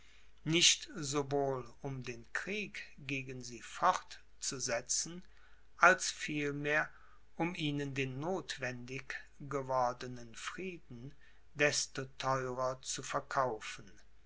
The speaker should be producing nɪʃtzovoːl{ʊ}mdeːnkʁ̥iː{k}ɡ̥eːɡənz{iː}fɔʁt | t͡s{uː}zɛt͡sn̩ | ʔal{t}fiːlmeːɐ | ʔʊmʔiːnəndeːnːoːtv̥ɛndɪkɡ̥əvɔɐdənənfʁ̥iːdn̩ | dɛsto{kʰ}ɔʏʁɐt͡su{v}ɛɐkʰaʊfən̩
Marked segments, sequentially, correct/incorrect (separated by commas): correct, correct, correct, incorrect, incorrect, incorrect, incorrect